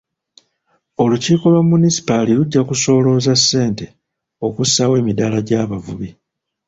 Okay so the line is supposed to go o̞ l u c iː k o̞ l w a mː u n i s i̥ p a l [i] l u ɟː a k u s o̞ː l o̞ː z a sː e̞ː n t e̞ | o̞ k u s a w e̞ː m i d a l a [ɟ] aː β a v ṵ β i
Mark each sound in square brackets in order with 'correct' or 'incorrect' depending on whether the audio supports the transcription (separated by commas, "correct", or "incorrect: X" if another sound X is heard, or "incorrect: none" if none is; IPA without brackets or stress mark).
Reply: correct, correct